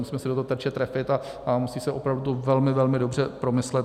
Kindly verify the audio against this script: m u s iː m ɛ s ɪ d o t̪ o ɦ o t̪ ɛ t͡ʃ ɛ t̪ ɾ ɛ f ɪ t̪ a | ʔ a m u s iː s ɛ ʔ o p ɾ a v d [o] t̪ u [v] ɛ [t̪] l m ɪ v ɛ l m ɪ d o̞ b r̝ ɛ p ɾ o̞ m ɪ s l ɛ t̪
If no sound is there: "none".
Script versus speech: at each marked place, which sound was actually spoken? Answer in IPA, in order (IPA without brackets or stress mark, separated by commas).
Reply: u, v, none